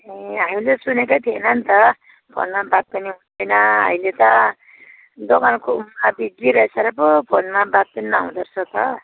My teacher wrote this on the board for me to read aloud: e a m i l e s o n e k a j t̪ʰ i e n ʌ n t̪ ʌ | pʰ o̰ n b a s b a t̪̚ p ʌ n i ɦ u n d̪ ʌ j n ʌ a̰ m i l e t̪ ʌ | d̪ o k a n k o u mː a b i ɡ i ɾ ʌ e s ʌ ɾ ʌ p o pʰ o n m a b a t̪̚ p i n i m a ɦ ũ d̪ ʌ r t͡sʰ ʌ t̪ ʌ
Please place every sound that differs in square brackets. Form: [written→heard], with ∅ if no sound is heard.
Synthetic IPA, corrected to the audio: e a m i l e s [o→u] n e k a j t̪ʰ i e n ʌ n t̪ ʌ | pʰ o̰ n [b→m] a [s→∅] b a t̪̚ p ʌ n i ɦ u n d̪ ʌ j n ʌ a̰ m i l e t̪ ʌ | d̪ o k a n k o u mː a b i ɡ i ɾ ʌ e s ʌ ɾ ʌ p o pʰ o n m a b a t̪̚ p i n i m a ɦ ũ d̪ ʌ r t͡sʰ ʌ t̪ ʌ